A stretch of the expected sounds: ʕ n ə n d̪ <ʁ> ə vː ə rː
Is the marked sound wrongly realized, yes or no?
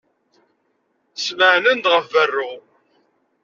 no